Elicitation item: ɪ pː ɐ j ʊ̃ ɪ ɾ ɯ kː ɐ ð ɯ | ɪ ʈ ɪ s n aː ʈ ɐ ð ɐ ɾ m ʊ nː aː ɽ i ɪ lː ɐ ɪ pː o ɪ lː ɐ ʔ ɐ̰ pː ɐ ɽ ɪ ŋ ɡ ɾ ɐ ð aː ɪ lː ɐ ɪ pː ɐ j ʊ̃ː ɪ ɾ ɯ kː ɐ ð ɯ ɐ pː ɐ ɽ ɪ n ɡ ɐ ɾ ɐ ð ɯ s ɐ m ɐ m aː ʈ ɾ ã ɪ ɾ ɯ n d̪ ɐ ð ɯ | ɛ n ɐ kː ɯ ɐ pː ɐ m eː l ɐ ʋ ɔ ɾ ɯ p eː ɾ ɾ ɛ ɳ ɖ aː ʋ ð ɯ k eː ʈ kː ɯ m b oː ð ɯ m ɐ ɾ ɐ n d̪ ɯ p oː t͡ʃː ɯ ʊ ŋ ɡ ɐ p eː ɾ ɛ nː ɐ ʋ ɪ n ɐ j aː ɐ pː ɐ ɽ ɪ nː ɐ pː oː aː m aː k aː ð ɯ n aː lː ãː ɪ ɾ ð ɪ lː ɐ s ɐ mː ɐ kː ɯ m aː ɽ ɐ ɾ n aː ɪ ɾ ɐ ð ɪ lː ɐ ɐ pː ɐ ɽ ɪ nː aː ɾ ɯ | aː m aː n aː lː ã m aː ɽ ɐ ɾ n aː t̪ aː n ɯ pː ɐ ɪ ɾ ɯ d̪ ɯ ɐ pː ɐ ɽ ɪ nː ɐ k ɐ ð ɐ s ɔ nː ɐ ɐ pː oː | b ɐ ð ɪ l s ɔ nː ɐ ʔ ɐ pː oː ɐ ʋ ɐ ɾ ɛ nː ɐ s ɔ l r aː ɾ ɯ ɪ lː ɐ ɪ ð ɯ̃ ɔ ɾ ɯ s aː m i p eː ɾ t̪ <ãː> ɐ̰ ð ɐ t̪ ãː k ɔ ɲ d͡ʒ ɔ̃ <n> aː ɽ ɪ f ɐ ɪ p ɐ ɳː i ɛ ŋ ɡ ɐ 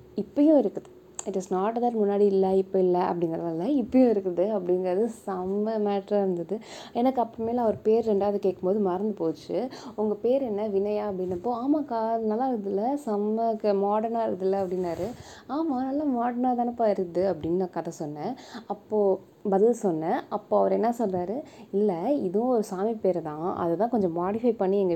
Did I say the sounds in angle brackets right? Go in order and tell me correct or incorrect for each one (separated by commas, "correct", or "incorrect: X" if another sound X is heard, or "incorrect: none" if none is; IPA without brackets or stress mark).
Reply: correct, incorrect: m